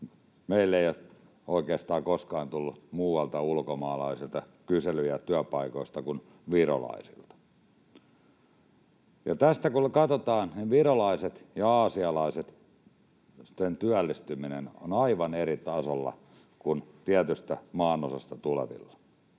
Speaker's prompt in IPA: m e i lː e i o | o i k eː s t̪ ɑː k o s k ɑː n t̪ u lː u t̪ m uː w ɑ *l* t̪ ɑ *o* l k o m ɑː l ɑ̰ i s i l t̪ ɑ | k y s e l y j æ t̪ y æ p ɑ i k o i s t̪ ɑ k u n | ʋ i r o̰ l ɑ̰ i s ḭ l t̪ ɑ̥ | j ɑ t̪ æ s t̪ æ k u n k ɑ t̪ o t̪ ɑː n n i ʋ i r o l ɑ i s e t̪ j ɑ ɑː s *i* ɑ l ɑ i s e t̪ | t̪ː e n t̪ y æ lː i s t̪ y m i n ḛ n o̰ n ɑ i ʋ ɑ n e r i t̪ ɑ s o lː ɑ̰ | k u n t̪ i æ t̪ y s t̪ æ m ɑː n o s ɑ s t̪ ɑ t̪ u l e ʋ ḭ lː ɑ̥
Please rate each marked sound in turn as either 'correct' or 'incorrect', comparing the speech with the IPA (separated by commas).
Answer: correct, incorrect, correct